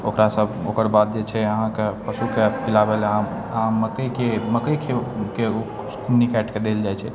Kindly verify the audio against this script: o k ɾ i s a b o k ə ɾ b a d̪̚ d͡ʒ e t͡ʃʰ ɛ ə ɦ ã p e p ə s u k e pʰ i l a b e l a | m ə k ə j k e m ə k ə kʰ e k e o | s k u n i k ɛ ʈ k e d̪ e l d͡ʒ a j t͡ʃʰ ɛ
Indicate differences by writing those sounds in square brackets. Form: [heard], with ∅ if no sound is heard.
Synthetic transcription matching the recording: o k ɾ [a] s [ə] b o k ə ɾ b a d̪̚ d͡ʒ e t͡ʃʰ ɛ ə ɦ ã [k] e p ə s u k e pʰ i l a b e l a | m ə k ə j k e m ə k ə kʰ e k e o | s k u n i k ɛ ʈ k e d̪ e l d͡ʒ a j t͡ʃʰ ɛ